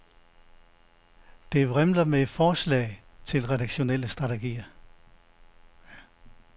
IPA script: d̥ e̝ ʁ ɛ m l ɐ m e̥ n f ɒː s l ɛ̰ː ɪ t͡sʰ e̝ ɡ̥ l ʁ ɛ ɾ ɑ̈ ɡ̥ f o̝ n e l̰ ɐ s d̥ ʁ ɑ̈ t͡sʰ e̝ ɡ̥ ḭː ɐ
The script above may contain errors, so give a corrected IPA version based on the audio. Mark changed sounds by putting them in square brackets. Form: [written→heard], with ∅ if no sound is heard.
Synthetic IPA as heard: d̥ e̝ ʁ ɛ m l ɐ m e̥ [n→∅] f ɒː s l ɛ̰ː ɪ t͡sʰ e̝ [ɡ̥→∅] l ʁ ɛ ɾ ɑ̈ ɡ̥ [f→ɕ] o̝ n e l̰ [ɐ→ə] s d̥ ʁ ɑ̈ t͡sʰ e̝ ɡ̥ ḭː ɐ